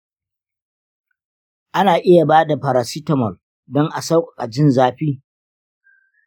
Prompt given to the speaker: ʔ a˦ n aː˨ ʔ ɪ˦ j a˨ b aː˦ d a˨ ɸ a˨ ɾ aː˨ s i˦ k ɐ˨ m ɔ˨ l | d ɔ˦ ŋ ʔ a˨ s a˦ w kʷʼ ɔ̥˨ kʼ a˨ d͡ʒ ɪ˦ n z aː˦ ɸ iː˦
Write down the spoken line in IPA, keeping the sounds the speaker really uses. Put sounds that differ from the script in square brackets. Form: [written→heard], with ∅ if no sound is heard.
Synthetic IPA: ʔ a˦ n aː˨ ʔ ɪ˦ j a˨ b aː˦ d a˨ ɸ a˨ ɾ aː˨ s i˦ [k→t] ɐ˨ m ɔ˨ l | d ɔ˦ ŋ ʔ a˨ s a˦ w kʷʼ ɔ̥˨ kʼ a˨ d͡ʒ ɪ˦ n z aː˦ ɸ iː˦